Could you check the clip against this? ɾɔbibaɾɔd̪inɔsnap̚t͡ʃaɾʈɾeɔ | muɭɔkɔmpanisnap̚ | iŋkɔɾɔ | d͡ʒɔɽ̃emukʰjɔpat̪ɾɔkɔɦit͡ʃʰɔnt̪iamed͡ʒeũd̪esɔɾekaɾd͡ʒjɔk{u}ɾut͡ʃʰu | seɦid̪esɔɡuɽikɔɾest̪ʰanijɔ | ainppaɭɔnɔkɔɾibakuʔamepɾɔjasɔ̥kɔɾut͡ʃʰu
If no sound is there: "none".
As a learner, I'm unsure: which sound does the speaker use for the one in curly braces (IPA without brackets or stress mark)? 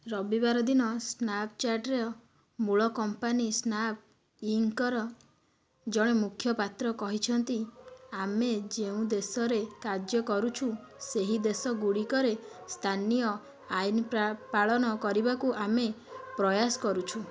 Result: ɔ